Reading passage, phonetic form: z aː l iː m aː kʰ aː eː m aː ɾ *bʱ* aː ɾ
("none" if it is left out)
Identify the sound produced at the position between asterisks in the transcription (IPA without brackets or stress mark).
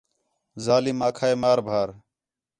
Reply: bʱ